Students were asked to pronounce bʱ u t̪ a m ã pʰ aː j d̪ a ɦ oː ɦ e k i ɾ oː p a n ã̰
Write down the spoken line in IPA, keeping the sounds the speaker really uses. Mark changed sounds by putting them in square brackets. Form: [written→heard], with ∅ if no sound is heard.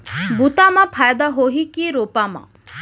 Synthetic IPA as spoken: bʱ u t̪ a m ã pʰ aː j d̪ a ɦ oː ɦ [e→i] k i ɾ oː p a [n→m] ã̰